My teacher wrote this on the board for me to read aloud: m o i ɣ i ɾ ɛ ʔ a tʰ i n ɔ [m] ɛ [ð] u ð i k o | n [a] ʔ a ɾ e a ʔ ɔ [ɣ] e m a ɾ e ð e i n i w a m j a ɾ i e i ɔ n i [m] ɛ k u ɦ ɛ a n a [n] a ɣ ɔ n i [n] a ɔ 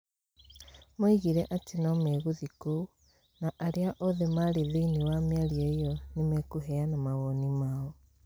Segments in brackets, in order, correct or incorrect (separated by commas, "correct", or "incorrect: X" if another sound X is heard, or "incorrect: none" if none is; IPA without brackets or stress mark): correct, incorrect: ɣ, correct, incorrect: ð, correct, incorrect: m, incorrect: m